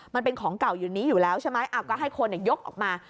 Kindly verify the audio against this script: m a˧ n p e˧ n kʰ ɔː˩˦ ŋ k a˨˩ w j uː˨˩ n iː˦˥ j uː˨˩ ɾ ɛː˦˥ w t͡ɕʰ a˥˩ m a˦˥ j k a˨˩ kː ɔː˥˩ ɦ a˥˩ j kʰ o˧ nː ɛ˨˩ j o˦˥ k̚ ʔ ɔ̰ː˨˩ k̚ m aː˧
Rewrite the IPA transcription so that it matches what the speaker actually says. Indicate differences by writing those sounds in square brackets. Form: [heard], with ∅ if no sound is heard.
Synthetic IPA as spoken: m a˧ n p e˧ n kʰ ɔː˩˦ ŋ k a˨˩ w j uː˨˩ n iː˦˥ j uː˨˩ [l] ɛː˦˥ w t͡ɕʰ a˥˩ m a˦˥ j [ʔ] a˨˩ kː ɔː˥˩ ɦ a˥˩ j kʰ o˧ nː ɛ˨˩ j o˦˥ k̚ ʔ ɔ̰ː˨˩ k̚ m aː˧